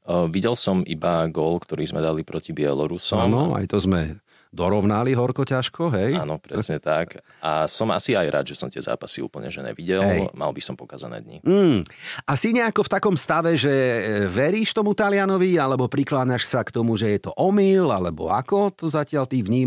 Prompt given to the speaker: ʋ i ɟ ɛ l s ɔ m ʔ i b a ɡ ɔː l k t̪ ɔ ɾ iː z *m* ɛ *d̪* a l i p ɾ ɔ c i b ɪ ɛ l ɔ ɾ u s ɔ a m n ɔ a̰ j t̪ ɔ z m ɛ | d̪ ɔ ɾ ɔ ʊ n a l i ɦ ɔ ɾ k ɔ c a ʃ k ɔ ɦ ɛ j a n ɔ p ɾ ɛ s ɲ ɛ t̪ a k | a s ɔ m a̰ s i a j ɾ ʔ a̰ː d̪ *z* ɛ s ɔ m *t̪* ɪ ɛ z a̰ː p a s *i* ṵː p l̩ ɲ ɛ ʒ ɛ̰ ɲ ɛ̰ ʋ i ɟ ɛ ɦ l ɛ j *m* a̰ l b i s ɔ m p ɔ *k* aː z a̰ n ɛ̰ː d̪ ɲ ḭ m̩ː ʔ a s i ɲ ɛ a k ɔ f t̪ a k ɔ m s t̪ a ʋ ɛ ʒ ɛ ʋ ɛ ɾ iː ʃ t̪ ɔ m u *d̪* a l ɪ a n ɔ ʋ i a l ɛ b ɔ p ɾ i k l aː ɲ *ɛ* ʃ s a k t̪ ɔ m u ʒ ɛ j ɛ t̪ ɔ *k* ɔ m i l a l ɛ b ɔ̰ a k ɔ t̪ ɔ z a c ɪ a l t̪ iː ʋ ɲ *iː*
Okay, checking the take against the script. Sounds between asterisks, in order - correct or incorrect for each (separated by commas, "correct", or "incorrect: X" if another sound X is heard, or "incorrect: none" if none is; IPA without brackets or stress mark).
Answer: correct, correct, incorrect: ʒ, correct, correct, correct, correct, incorrect: t̪, incorrect: a, incorrect: ʔ, correct